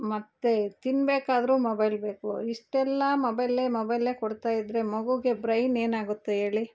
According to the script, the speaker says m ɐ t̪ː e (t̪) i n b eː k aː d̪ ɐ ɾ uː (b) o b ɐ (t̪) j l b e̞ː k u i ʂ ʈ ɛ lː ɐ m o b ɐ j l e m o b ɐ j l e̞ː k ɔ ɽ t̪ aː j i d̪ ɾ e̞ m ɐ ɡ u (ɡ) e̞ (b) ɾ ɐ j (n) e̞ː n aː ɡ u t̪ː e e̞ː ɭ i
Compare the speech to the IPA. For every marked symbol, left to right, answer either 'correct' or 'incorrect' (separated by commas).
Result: correct, incorrect, incorrect, correct, correct, correct